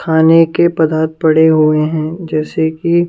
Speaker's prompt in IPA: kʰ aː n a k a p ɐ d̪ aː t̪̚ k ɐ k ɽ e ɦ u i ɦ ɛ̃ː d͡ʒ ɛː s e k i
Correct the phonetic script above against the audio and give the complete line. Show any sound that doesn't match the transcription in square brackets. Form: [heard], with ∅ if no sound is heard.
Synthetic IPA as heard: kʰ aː n [e] k [e] p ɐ d̪ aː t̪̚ [p] ɐ [∅] ɽ e ɦ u [e] ɦ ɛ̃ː d͡ʒ ɛː s e k i